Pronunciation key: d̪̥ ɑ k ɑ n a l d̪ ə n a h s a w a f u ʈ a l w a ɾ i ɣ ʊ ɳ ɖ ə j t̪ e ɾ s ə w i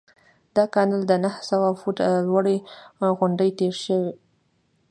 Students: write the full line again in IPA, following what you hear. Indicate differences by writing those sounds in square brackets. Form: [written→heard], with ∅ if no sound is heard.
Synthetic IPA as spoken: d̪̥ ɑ k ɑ n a l d̪ ə n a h s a w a f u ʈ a l w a [ɾ→ɽ] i ɣ ʊ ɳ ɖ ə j t̪ e ɾ [s→ʃ] ə w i